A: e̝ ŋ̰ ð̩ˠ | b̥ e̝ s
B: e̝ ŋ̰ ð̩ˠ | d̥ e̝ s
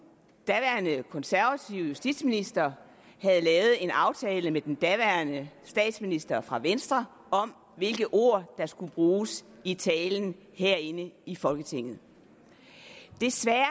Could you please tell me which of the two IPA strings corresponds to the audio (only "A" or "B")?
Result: B